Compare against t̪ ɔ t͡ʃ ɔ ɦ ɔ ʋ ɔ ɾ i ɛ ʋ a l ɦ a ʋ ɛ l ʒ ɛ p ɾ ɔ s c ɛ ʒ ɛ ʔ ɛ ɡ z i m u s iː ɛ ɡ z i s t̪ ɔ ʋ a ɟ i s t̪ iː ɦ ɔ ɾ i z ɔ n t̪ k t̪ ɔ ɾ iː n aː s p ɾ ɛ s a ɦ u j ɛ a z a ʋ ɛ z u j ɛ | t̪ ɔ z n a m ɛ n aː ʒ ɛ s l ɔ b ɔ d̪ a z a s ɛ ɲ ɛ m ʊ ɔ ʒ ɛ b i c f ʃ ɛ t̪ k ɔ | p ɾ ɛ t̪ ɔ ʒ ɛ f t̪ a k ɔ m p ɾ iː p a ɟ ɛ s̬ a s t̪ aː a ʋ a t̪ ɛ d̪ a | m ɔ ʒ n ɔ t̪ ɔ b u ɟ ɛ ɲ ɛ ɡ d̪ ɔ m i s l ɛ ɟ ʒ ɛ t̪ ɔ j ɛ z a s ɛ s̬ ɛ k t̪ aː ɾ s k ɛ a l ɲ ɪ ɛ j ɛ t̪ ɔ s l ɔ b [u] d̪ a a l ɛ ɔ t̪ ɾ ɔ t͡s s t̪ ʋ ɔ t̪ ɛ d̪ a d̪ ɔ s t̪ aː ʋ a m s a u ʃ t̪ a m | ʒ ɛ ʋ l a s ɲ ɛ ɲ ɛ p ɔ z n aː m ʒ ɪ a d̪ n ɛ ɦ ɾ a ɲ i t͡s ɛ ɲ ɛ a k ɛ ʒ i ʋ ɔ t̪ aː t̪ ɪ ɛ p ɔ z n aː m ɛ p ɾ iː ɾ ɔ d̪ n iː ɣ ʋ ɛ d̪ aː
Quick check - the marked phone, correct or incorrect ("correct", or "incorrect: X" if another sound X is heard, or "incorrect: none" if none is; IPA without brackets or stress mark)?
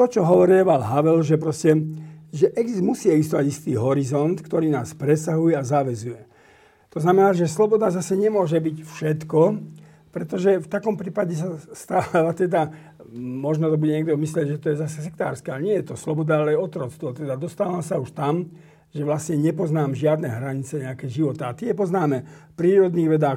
incorrect: ɔ